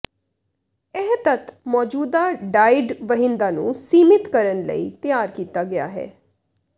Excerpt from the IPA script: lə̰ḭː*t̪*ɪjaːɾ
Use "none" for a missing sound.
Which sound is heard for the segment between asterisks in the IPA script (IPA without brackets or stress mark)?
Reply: t̪